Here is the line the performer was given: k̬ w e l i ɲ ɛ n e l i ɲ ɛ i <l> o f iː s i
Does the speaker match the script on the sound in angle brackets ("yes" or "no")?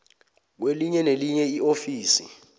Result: no